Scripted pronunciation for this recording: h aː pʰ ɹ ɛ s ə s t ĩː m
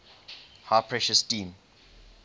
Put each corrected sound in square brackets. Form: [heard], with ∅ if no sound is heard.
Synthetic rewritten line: h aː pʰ ɹ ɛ [ʃ] ə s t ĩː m